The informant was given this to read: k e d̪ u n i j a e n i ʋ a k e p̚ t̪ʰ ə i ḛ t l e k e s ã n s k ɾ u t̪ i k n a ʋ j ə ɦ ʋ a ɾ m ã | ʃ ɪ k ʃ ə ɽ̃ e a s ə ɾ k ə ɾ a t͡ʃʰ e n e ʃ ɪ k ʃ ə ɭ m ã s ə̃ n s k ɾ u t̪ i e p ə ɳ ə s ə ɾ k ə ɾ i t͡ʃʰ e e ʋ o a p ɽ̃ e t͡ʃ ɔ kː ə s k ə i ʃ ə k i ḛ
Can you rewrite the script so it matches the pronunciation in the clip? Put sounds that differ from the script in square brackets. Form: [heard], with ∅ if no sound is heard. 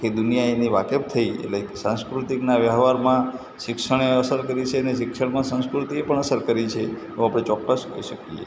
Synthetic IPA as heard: k e d̪ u n i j a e n i ʋ a k e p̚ t̪ʰ ə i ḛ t l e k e s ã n s k ɾ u t̪ i k n a ʋ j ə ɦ ʋ a ɾ m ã | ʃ ɪ k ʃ ə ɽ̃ e [ə] s ə ɾ k ə ɾ [i] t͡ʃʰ e n e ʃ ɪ k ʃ ə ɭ m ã s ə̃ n s k ɾ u t̪ i e p ə ɳ ə s ə ɾ k ə ɾ i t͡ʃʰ e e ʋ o a p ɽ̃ e t͡ʃ ɔ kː ə s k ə i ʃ ə k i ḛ